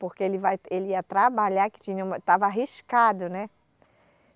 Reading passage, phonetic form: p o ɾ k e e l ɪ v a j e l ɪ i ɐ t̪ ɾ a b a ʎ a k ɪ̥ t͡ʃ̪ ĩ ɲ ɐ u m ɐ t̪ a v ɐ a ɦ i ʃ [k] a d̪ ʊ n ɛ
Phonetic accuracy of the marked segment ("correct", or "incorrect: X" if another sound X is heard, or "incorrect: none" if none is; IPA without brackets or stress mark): correct